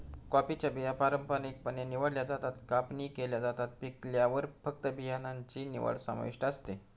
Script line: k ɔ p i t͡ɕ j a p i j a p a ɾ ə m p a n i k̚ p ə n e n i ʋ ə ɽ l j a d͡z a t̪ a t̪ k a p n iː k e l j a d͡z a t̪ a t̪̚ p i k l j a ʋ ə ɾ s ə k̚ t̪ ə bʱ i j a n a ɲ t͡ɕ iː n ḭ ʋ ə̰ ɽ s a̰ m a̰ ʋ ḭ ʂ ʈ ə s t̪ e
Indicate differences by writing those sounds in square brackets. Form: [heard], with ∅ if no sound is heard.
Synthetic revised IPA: k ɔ p i t͡ɕ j a [b] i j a p a ɾ ə m p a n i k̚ p ə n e n i ʋ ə ɽ l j a d͡z a t̪ a t̪ k a p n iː k e l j a d͡z a t̪ a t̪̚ p i k l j a ʋ ə ɾ [f] ə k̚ t̪ ə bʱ i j a n a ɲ t͡ɕ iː n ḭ ʋ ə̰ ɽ s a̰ m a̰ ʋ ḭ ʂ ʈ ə s t̪ e